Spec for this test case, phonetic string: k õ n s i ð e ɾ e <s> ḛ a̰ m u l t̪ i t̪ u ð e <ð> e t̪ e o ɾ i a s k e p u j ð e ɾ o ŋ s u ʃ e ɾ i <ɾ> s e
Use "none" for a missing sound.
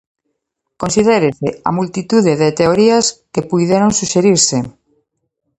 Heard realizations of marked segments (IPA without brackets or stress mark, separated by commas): s, ð, ɾ